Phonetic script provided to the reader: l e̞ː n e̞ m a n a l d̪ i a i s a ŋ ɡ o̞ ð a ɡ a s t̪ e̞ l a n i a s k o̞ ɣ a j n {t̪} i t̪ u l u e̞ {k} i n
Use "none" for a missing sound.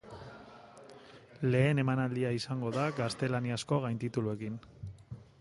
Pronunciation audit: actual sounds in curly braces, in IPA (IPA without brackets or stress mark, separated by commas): t̪, k